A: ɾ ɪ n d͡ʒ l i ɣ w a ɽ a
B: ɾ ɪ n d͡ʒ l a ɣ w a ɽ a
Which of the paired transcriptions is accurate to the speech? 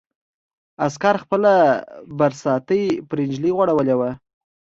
A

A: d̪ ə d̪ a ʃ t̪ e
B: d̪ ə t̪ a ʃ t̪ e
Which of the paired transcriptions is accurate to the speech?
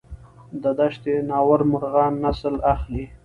A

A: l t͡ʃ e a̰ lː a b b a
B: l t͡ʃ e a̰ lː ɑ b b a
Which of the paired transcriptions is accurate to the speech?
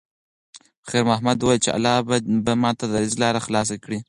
B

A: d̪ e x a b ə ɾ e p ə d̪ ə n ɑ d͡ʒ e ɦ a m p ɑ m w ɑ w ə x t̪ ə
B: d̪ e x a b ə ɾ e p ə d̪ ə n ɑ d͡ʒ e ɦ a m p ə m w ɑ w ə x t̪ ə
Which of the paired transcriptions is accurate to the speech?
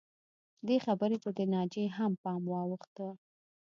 A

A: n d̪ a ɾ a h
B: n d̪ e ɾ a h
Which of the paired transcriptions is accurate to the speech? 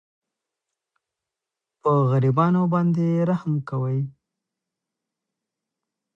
B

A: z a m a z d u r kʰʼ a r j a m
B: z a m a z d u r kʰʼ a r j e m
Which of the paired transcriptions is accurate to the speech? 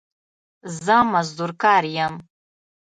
A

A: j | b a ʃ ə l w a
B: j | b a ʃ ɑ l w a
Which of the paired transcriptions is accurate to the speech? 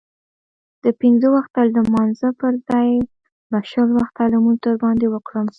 A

